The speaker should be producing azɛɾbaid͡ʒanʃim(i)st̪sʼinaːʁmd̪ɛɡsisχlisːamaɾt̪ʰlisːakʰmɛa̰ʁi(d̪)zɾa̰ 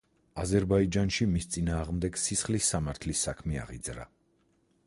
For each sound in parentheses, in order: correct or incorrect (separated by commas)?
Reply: correct, correct